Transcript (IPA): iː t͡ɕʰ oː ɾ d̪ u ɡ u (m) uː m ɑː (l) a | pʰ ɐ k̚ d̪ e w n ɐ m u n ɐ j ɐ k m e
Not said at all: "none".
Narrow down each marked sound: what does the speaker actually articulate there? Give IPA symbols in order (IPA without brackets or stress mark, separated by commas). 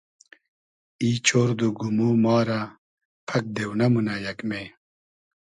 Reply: m, ɾ